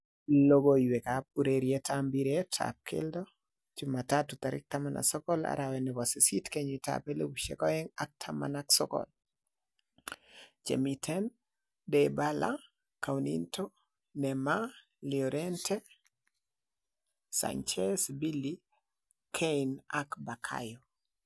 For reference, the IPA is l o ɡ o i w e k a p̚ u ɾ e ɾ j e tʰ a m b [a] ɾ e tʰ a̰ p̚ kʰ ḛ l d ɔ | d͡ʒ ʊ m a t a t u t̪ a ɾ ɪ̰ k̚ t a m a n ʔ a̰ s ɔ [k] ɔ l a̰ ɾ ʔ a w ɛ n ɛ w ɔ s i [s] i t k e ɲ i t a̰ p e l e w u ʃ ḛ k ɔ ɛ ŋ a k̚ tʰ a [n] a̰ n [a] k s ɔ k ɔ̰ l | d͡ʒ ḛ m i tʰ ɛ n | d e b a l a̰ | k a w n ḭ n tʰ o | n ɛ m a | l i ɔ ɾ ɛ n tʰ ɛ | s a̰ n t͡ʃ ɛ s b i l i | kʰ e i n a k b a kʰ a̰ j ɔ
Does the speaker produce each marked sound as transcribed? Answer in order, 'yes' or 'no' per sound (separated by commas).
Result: no, yes, yes, no, yes